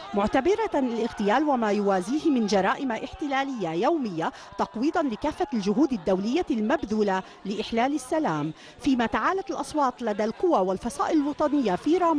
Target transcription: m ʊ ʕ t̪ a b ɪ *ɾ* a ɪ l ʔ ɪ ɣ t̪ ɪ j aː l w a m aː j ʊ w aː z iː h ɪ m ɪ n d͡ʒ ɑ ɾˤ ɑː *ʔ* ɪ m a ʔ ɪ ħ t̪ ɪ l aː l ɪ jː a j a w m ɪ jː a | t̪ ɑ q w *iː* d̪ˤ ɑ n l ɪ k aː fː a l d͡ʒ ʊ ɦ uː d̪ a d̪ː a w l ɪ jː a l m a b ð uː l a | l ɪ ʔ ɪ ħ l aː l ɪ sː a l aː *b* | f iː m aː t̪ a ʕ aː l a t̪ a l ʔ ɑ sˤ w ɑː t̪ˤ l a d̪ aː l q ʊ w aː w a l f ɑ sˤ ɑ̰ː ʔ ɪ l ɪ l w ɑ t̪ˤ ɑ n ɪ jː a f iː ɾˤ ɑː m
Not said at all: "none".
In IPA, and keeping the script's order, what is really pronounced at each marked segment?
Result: ɾ, ʔ, iː, m

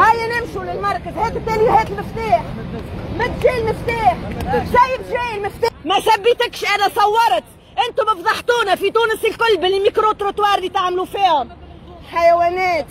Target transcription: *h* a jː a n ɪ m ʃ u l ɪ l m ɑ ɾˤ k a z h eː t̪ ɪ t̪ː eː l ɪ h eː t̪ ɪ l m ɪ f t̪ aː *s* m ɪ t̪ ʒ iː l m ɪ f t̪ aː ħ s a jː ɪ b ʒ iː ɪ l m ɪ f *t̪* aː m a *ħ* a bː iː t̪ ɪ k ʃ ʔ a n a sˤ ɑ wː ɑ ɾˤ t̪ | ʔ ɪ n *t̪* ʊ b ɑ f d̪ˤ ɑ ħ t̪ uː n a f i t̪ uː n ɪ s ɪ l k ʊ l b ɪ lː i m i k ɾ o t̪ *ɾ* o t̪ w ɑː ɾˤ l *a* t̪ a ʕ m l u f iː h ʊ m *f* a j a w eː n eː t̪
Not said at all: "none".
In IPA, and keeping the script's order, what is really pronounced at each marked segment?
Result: h, ħ, t̪, s, t̪, ɾ, i, ħ

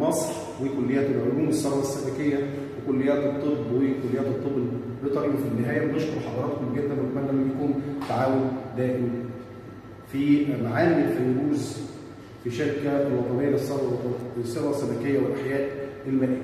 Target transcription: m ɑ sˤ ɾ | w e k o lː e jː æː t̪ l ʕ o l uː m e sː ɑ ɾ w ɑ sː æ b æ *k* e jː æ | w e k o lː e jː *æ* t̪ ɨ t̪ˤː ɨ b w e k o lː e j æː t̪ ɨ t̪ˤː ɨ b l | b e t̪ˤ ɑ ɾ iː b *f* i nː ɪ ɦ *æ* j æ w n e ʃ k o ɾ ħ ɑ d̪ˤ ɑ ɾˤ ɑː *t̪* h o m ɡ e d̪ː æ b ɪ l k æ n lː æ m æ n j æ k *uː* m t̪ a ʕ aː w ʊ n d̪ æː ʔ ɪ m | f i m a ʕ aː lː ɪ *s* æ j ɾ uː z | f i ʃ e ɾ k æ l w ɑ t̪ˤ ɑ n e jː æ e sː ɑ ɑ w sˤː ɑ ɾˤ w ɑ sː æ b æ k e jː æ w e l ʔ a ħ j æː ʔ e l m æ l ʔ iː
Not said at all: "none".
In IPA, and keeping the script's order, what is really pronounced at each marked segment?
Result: k, æː, f, æː, t̪, uː, f

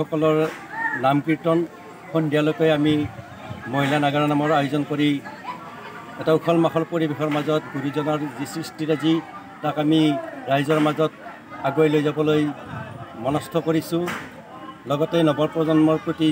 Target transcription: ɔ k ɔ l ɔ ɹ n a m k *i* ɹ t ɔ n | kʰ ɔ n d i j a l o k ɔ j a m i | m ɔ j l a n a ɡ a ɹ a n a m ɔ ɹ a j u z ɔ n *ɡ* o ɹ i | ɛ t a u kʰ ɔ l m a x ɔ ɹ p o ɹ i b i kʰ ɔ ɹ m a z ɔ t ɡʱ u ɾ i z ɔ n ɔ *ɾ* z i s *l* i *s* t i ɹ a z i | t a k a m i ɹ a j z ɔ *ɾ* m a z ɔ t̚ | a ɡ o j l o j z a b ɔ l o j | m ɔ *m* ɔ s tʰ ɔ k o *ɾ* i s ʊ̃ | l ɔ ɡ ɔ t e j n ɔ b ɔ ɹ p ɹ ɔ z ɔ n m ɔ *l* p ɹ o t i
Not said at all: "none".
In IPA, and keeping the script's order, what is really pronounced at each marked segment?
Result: i, k, ɹ, ɹ, s, ɹ, n, ɹ, ɹ

